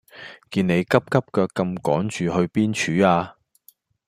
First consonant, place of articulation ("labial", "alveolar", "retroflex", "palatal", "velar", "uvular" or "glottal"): velar